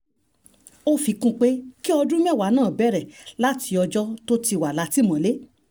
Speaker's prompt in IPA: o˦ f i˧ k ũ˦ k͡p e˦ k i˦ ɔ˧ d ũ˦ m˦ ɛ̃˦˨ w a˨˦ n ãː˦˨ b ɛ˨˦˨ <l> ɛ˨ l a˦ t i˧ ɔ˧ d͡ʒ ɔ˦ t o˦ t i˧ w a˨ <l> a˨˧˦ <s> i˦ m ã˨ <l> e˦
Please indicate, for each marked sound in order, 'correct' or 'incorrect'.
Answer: incorrect: ɾ, correct, incorrect: t, correct

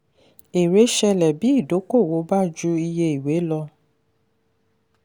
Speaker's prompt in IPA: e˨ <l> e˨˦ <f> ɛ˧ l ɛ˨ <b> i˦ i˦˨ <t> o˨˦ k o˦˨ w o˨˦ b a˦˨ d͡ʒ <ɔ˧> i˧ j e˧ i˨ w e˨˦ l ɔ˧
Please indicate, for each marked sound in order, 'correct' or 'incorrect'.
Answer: incorrect: ɾ, incorrect: ʃ, correct, incorrect: d, incorrect: u˧

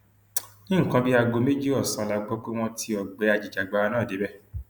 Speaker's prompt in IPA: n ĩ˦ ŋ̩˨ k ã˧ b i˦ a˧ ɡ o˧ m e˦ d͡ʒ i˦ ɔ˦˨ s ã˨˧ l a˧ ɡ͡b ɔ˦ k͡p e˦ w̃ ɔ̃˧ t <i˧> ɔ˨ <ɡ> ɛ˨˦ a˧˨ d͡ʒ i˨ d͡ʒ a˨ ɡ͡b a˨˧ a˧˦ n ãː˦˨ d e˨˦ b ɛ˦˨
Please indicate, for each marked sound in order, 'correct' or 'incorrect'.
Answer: correct, incorrect: ɡ͡b

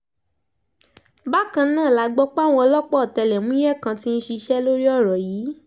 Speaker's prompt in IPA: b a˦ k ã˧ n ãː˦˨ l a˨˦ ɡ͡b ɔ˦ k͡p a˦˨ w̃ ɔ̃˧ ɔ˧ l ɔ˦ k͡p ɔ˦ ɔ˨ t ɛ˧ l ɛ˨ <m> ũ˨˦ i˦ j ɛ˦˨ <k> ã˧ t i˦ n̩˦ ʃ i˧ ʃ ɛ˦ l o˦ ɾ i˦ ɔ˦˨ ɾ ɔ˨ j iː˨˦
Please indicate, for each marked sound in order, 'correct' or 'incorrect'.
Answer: correct, correct

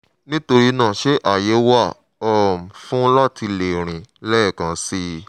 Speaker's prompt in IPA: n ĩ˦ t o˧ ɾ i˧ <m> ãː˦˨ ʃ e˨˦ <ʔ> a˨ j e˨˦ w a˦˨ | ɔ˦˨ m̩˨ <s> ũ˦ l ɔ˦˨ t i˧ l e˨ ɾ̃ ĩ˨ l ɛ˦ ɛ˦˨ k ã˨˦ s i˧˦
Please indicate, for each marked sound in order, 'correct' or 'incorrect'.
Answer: incorrect: n, correct, incorrect: f

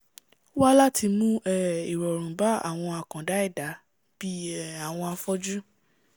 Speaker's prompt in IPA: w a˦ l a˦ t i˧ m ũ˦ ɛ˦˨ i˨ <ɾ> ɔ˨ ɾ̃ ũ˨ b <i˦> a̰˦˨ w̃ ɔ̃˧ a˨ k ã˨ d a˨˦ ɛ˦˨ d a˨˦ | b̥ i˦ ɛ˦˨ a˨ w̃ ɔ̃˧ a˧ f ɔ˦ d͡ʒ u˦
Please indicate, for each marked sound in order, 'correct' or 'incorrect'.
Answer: correct, incorrect: a˦

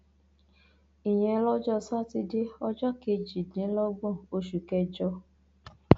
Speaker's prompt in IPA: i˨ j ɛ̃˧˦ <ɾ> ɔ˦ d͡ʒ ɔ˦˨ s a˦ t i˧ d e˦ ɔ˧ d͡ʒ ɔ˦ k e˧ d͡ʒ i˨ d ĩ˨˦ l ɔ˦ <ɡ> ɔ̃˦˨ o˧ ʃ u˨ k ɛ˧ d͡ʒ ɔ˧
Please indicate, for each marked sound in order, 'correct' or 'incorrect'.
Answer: incorrect: l, incorrect: ɡ͡b

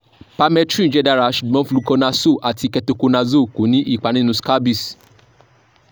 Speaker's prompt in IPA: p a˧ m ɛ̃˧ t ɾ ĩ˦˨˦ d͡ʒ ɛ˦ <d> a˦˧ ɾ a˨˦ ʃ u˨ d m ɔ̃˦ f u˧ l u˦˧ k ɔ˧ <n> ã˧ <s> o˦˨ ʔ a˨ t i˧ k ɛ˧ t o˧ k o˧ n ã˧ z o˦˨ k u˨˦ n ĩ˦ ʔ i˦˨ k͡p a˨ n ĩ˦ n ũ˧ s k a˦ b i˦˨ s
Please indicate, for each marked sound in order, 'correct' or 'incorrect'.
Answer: correct, correct, correct

